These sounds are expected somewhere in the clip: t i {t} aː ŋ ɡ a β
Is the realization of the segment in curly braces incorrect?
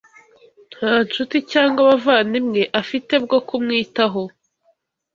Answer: yes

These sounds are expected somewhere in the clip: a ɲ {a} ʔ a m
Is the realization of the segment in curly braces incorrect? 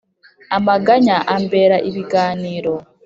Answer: no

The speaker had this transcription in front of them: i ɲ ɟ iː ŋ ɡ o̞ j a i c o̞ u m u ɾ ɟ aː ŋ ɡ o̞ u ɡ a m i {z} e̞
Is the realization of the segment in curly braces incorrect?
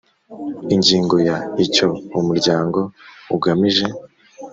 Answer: yes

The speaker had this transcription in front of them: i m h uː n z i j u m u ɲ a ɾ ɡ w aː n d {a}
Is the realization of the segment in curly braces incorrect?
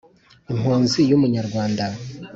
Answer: no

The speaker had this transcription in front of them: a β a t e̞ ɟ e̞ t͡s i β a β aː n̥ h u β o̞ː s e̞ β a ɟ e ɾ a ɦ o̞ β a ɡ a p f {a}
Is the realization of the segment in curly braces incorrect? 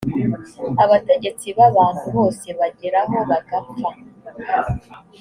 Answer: no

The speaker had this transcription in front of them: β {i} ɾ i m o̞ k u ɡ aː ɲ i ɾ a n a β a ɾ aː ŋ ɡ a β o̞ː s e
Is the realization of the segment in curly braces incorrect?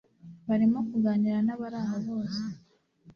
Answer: yes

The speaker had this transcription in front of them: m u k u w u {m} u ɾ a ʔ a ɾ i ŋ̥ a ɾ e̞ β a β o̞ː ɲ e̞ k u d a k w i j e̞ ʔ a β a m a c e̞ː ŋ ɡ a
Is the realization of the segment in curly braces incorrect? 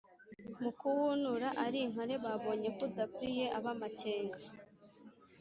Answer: yes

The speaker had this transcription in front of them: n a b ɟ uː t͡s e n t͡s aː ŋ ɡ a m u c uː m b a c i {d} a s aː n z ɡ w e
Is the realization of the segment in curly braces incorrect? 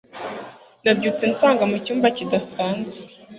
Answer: no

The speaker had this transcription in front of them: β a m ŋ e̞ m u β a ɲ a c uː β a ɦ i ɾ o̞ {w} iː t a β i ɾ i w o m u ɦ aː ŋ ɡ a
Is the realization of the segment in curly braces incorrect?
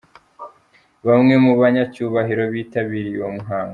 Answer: yes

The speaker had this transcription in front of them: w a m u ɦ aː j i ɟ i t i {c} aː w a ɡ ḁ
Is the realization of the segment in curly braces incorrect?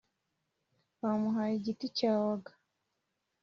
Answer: no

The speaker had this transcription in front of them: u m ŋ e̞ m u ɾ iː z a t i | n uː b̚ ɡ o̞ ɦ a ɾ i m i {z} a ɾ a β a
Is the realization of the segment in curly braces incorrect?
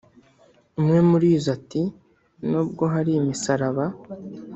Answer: yes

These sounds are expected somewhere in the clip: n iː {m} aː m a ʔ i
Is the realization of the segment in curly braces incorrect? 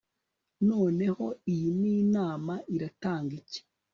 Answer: yes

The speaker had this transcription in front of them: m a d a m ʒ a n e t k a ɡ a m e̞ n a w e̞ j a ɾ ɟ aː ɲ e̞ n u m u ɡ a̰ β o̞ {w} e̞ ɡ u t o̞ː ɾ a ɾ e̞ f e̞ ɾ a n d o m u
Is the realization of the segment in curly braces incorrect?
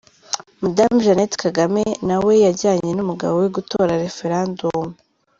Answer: no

